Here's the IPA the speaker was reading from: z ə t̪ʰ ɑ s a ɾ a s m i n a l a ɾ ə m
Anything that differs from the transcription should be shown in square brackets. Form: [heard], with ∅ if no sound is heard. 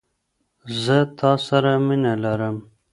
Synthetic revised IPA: z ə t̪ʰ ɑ s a ɾ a [∅] m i n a l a ɾ ə m